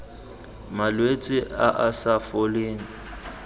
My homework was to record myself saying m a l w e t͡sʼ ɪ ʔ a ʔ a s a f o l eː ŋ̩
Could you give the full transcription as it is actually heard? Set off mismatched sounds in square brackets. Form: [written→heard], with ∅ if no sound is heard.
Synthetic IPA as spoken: m a l w e t͡sʼ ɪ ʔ a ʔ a s a f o l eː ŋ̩